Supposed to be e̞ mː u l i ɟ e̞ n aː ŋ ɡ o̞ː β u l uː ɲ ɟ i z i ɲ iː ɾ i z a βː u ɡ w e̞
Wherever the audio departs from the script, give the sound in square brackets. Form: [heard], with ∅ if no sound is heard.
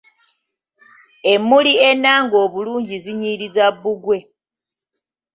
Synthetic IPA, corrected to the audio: e̞ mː u l i [∅] e̞ n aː ŋ ɡ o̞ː β u l uː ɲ ɟ i z i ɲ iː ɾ i z a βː u ɡ w e̞